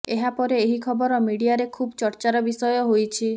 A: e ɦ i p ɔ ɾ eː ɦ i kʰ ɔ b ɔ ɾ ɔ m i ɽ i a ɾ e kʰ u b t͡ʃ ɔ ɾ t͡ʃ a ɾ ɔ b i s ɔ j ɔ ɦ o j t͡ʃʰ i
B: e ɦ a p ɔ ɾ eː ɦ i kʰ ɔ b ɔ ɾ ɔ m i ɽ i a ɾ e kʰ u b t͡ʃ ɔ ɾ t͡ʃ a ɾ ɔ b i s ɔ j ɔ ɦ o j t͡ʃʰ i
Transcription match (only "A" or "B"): B